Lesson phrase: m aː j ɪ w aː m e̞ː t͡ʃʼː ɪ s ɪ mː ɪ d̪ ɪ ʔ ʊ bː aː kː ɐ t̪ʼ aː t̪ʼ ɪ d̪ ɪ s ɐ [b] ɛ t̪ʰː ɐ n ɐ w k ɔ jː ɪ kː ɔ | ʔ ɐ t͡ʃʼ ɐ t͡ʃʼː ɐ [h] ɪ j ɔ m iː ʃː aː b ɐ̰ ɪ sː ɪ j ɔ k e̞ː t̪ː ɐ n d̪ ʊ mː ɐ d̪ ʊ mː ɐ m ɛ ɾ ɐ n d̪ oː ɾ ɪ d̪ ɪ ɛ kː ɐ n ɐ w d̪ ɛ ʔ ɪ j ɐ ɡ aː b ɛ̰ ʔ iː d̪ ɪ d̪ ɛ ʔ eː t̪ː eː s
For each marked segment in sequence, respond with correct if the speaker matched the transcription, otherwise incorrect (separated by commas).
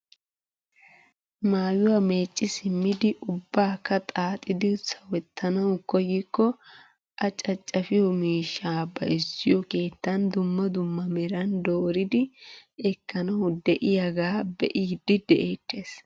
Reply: incorrect, incorrect